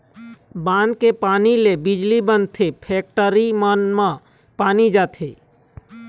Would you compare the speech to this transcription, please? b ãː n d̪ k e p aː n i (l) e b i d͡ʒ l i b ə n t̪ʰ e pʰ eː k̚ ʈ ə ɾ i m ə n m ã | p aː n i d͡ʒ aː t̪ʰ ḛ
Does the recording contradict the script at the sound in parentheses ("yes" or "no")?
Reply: no